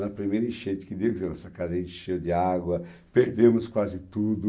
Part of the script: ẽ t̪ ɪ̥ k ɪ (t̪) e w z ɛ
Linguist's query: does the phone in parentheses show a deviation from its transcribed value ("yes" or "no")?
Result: yes